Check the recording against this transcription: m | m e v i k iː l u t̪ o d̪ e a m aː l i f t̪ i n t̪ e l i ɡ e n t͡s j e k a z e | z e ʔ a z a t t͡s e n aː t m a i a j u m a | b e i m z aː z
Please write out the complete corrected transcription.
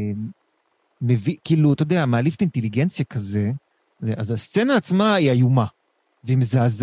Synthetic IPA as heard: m | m e v i k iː l u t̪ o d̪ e a m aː l i f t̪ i n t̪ e l i ɡ e n t͡s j a k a z e | z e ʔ a z a s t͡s e n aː t͡s m a i a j u m a | v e i m z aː z